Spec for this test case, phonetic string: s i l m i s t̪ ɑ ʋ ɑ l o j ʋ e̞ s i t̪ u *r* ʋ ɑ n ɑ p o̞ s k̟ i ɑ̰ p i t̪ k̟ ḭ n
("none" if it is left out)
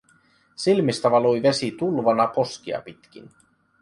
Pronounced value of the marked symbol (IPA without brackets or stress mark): l